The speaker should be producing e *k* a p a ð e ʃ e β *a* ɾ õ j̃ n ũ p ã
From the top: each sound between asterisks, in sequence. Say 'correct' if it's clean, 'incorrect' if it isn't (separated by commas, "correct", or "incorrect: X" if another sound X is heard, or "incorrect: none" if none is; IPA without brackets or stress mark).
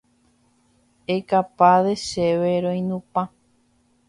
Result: correct, incorrect: e